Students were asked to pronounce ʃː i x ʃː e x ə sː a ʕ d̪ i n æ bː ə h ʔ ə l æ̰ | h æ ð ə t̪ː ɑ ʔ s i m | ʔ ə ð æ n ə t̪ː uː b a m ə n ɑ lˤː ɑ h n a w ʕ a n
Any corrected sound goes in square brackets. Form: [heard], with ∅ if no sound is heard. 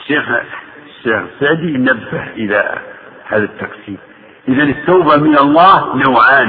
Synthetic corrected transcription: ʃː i x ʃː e x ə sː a ʕ d̪ i n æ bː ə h ʔ ə l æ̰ | h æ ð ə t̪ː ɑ [q] s i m | ʔ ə ð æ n ə t̪ː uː b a m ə n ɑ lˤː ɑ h n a w ʕ a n